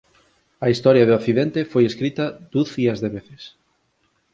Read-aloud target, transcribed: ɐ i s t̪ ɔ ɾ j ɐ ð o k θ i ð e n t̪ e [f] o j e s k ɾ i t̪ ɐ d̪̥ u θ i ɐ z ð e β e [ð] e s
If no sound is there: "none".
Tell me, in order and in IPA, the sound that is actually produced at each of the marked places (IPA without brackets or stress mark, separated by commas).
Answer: f, θ